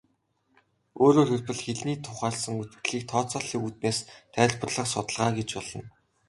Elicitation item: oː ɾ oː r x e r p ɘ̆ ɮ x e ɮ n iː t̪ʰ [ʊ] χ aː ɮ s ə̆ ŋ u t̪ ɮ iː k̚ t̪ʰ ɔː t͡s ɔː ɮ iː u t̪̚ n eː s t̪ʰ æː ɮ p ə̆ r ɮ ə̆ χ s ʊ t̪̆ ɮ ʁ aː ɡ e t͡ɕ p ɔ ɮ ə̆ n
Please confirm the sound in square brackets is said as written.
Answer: yes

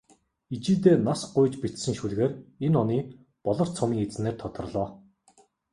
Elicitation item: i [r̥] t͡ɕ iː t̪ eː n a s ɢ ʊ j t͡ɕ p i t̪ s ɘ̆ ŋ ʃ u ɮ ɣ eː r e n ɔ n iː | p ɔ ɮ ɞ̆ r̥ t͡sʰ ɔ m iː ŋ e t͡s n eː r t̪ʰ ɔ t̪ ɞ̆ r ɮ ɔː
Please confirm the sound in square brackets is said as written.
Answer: no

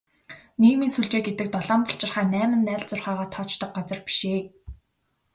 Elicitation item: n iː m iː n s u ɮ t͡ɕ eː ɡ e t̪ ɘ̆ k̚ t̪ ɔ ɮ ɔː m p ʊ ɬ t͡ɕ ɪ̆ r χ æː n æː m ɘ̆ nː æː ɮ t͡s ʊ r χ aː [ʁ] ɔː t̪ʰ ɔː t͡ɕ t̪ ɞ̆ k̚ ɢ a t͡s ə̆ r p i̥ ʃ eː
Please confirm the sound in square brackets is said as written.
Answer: yes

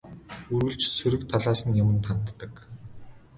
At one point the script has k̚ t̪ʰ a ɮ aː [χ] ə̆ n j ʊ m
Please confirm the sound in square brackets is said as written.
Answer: no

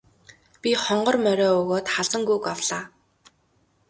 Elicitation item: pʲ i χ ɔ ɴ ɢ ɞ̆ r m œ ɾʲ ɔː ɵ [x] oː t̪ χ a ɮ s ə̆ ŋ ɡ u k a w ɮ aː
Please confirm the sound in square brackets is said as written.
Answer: no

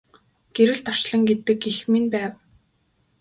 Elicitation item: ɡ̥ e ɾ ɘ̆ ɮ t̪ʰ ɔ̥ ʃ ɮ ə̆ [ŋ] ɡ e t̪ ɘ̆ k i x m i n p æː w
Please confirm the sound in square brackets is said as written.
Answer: yes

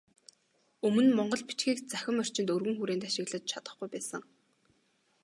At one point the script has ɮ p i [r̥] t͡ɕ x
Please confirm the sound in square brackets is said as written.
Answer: no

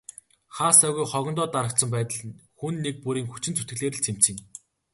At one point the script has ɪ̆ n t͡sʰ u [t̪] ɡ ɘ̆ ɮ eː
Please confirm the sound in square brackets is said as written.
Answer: yes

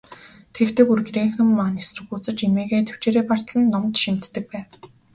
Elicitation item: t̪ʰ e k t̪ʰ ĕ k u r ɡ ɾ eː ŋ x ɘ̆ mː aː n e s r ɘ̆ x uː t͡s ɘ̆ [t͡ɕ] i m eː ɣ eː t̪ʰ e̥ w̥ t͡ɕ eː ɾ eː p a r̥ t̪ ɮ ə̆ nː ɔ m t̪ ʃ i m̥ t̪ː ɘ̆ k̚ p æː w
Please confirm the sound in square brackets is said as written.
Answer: yes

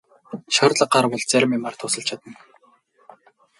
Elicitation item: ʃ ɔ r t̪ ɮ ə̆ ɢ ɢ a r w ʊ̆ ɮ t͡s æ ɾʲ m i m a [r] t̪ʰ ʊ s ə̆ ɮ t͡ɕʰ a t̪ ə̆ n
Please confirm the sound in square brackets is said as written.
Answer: yes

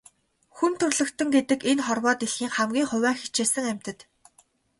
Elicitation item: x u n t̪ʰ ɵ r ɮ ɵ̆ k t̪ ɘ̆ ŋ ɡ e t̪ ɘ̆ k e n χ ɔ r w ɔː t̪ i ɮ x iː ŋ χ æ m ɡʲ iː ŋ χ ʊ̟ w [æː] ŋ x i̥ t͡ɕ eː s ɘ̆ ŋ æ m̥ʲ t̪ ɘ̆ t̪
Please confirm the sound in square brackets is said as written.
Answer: yes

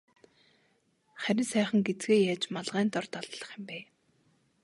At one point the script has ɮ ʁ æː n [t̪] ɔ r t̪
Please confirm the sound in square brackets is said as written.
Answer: yes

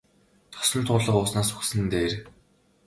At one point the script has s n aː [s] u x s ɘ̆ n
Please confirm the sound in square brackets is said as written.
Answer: yes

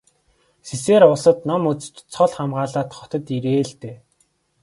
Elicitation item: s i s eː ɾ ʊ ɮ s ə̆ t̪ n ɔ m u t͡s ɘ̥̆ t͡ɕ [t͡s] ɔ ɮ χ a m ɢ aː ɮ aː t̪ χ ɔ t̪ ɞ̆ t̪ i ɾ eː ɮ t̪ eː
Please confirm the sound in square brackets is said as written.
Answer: no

